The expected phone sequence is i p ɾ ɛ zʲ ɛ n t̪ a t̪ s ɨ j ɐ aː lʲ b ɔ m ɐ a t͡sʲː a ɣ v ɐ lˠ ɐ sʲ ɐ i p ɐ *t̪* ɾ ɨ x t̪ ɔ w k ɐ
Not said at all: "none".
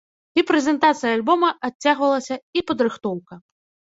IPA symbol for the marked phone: d̪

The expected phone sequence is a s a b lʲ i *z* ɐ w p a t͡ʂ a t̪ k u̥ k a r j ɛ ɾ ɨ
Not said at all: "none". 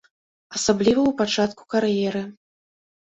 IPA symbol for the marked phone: v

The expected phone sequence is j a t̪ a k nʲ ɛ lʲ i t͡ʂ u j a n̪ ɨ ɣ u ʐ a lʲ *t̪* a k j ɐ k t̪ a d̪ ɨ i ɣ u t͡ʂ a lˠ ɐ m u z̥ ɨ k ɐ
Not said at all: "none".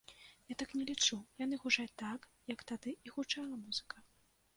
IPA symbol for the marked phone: t̪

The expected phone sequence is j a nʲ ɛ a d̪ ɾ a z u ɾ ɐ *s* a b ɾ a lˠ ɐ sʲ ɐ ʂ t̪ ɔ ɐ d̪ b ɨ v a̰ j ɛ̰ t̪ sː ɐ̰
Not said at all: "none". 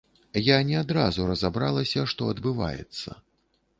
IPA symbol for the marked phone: z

